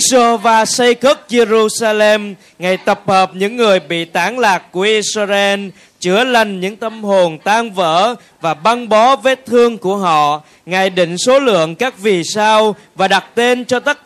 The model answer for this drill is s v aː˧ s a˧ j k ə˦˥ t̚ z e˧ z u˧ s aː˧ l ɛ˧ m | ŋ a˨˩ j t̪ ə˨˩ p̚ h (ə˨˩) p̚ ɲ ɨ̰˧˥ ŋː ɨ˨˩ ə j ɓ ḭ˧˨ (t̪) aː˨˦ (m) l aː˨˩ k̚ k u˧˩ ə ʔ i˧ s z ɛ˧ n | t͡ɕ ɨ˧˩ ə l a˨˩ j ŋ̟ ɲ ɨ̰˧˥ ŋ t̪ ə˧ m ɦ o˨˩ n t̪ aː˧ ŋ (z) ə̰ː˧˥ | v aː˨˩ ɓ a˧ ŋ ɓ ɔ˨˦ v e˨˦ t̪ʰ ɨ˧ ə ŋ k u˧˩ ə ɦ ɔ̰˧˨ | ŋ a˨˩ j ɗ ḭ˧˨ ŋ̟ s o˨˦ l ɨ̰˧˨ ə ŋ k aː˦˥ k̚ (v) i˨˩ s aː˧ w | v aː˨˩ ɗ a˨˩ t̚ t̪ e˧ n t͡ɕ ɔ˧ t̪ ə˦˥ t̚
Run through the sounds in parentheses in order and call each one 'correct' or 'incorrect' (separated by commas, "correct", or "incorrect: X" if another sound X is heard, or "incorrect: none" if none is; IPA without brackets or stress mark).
incorrect: əː˨˩, correct, incorrect: ŋ, incorrect: v, correct